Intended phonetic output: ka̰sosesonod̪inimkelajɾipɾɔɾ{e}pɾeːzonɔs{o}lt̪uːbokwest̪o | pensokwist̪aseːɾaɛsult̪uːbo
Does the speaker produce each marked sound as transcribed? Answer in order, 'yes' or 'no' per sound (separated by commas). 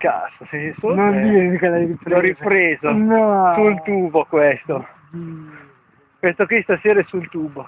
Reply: no, no